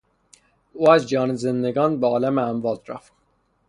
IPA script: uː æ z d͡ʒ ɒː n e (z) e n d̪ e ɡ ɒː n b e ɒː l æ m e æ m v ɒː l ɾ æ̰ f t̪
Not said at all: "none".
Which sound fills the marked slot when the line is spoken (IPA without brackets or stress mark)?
z